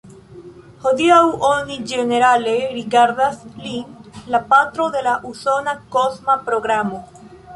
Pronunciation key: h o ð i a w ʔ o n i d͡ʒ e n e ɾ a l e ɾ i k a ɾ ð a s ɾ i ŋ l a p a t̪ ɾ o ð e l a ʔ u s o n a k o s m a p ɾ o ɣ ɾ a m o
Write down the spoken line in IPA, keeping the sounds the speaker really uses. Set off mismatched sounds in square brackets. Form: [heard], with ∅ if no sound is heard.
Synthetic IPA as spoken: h o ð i a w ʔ o n i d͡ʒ e n e ɾ a l e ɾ i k a ɾ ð a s [l] i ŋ l a p a t̪ ɾ o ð e l a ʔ u s o n a k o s m a p ɾ o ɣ ɾ a m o

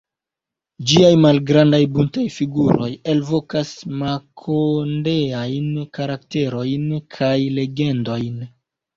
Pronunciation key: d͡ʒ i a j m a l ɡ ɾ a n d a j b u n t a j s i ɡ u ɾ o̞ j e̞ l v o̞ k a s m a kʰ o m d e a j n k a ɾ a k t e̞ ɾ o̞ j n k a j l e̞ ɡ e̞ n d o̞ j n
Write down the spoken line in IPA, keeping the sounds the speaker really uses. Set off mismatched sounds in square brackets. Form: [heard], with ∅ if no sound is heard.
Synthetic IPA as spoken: d͡ʒ i a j m a l ɡ ɾ a n d a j b u n t a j [f] i ɡ u ɾ o̞ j e̞ l v o̞ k a s m a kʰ o [n] d e a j n k a ɾ a k t e̞ ɾ o̞ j n [kʰ] a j l e̞ ɡ e̞ n d o̞ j n

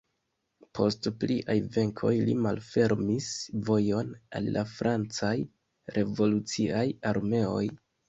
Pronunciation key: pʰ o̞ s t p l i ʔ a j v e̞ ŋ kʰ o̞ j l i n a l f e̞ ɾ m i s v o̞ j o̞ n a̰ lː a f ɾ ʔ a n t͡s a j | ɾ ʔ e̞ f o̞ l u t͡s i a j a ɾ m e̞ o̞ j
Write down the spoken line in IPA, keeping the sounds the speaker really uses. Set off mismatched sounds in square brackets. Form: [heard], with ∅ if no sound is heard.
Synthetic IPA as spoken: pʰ o̞ s t p l i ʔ a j v e̞ ŋ kʰ o̞ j l i [m] a l f e̞ ɾ m i s v o̞ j o̞ n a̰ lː a f ɾ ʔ a n t͡s a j | ɾ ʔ e̞ [v] o̞ l u t͡s i a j a ɾ m e̞ o̞ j

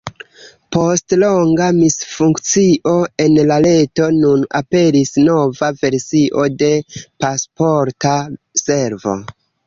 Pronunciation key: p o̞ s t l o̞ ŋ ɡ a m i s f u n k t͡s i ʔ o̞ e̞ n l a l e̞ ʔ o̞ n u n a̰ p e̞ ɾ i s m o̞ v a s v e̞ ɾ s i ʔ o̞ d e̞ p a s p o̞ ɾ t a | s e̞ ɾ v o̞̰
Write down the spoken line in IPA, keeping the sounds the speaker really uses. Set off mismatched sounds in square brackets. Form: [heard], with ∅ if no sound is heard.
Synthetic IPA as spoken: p o̞ s t l o̞ ŋ ɡ a m i s f u [ŋ] k t͡s i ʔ o̞ e̞ n l a l e̞ [t] o̞ n u n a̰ p e̞ ɾ i s [n] o̞ v a [∅] v e̞ ɾ s i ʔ o̞ d e̞ p a s p o̞ ɾ t a | s e̞ ɾ v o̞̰

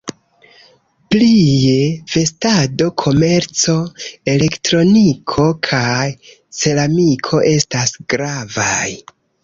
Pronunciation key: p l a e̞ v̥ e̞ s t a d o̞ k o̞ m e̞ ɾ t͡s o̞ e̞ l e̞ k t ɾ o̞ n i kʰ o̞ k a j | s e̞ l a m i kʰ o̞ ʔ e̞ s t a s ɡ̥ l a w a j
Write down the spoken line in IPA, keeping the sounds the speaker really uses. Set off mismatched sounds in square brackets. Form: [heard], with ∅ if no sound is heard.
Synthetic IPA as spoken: p l [i] e̞ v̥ e̞ s t a d o̞ [kʰ] o̞ m e̞ ɾ t͡s o̞ e̞ l e̞ k t ɾ o̞ n i kʰ o̞ [kʰ] a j | s e̞ l a m i kʰ o̞ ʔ e̞ s t a s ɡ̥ [ɾ] a [v] a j

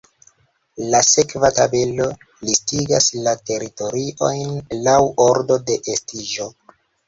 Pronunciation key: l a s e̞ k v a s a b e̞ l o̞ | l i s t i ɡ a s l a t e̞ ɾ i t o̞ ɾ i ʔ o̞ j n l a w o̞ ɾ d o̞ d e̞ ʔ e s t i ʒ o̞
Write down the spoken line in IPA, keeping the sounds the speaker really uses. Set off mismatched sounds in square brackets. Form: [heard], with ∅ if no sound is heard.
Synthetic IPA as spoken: l a s e̞ k v a [t] a b e̞ l o̞ | l i s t i ɡ a s l a t e̞ ɾ i t o̞ ɾ i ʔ o̞ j n l a w o̞ ɾ d o̞ d e̞ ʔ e s t i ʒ o̞

